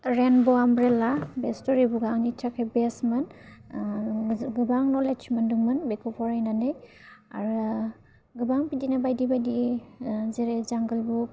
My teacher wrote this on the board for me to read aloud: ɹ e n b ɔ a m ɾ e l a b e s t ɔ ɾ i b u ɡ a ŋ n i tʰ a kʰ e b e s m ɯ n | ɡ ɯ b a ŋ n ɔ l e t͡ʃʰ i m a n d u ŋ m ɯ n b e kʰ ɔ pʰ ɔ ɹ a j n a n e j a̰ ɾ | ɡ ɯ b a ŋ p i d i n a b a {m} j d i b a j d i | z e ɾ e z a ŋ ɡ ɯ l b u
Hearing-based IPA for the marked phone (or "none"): none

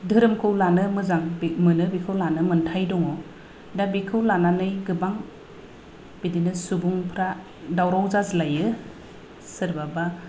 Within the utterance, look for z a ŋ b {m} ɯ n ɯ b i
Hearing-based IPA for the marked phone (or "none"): m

